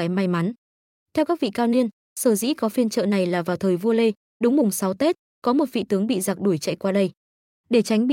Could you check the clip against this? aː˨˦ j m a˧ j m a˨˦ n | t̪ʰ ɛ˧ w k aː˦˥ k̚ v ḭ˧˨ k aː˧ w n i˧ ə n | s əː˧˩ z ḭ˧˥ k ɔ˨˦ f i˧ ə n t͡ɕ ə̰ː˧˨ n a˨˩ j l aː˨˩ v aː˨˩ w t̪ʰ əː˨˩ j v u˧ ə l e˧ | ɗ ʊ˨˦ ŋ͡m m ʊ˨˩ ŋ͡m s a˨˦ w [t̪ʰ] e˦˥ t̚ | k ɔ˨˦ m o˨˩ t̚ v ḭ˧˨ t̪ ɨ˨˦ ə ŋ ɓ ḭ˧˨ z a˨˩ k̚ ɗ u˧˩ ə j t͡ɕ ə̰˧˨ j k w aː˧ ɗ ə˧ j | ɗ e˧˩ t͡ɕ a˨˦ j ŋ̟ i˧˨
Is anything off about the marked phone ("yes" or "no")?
yes